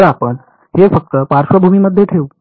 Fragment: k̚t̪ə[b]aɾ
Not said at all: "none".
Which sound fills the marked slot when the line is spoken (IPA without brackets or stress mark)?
p